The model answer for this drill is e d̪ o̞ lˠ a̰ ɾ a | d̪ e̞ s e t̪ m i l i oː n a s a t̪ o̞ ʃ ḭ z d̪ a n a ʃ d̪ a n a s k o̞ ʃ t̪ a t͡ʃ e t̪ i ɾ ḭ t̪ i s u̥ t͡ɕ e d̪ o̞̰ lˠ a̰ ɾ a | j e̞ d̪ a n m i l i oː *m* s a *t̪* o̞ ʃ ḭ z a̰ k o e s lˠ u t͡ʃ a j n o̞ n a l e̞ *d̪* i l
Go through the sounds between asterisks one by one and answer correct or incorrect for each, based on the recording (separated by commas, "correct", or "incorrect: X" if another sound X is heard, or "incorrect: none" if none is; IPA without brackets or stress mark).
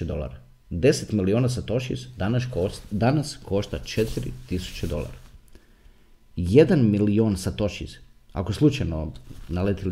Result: incorrect: n, correct, incorrect: t̪